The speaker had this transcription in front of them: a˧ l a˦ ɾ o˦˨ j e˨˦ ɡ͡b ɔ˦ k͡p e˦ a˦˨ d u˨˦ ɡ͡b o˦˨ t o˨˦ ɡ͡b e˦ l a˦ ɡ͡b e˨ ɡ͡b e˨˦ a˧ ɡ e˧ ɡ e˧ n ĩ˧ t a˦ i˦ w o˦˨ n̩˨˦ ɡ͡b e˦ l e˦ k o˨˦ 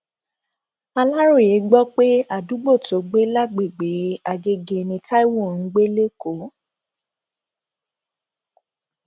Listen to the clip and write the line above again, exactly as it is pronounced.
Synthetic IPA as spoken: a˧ l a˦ ɾ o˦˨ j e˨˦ ɡ͡b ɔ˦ k͡p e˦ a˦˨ d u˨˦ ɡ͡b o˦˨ t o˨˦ ɡ͡b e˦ l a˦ ɡ͡b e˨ ɡ͡b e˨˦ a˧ ɡ e˧ ɡ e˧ n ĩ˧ t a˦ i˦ w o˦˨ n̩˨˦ ɡ͡b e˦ l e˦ k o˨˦